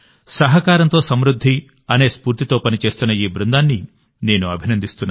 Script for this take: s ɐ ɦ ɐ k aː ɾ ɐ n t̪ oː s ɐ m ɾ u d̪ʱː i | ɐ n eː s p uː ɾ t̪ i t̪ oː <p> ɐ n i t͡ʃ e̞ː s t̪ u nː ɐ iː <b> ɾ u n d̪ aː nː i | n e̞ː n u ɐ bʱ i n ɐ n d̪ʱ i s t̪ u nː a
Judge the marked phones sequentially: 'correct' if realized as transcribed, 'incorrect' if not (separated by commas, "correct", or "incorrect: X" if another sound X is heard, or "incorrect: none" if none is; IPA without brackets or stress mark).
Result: correct, correct